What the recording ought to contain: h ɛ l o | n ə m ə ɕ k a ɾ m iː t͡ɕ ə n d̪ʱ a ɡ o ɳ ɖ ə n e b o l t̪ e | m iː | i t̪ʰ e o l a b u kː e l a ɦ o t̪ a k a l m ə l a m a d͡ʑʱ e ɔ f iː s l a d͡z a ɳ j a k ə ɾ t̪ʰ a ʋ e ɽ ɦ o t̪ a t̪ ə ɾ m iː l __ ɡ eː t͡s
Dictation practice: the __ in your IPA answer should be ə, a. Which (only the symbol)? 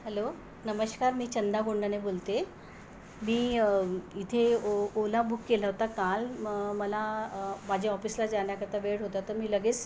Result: ə